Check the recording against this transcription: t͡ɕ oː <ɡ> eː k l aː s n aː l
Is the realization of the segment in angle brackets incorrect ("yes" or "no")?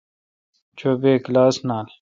yes